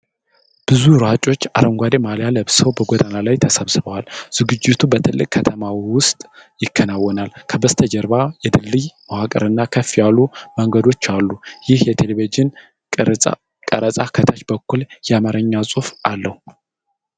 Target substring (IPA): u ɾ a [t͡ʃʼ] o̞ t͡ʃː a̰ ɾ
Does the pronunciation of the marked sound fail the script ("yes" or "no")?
no